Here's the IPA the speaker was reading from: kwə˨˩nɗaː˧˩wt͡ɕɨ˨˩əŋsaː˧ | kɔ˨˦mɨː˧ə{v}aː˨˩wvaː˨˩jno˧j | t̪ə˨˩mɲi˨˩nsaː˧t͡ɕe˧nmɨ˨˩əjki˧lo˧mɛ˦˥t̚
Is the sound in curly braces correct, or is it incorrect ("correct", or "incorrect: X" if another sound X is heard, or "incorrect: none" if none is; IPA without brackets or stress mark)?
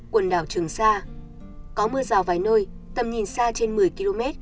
incorrect: z